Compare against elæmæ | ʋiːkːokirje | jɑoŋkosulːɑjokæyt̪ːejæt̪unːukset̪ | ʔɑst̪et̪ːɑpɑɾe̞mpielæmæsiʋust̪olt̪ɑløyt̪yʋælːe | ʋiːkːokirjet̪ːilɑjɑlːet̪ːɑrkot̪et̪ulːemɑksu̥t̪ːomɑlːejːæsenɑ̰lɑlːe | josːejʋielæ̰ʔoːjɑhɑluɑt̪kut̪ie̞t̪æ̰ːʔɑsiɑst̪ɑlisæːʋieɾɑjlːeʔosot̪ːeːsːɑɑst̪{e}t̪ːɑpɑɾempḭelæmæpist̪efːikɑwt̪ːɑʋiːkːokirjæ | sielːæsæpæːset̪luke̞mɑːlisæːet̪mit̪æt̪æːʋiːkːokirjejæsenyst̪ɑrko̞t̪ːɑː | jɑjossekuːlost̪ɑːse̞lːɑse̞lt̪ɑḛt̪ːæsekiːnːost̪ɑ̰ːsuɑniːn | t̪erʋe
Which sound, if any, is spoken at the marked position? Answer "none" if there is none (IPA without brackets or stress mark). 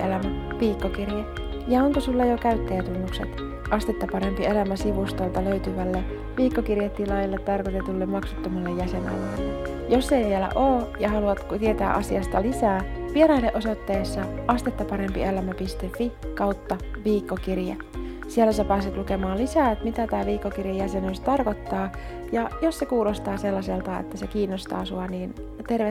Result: e